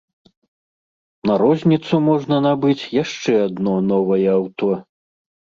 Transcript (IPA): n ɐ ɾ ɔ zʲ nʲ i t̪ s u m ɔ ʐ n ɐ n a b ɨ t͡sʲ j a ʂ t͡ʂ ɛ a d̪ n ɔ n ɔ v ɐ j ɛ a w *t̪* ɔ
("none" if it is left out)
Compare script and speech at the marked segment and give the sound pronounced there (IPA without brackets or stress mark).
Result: t̪